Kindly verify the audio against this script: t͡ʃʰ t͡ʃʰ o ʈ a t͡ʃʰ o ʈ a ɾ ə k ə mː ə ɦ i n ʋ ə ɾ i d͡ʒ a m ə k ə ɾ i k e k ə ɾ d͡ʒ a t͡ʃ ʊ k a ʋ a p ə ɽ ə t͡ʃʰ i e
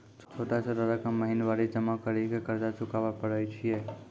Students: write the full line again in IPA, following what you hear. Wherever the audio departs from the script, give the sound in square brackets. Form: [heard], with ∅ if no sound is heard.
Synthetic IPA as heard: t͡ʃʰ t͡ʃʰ o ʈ a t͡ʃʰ o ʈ a ɾ ə k ə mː ə ɦ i n ʋ [a] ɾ i d͡ʒ [ə] m [a] k ə ɾ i k e k ə ɾ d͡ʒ a t͡ʃ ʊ k a ʋ a p ə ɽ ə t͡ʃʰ i e